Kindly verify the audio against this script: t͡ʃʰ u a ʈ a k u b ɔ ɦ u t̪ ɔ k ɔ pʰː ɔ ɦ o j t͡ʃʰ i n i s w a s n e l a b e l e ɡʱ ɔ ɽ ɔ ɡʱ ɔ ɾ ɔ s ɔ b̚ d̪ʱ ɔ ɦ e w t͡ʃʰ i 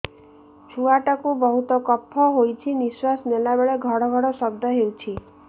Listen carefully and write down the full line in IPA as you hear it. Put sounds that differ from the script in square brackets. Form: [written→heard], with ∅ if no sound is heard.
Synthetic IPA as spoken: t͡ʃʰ u a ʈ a k u b ɔ ɦ u t̪ ɔ k ɔ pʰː ɔ ɦ o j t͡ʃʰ i n i s w a s n e l a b e [l→ɭ] e ɡʱ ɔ ɽ ɔ ɡʱ ɔ [ɾ→ɽ] ɔ s ɔ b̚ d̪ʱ ɔ ɦ e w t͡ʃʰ i